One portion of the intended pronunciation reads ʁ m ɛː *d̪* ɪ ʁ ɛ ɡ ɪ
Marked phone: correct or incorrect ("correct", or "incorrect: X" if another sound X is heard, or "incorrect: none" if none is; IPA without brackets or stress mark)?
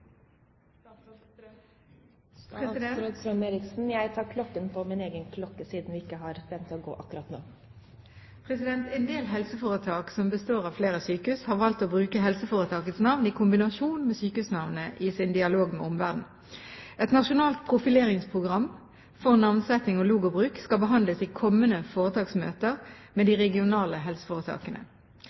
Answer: correct